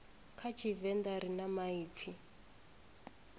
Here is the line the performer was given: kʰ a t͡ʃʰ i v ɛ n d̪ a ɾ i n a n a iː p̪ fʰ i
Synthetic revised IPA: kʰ a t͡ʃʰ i v ɛ n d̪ a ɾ i n a m a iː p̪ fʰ i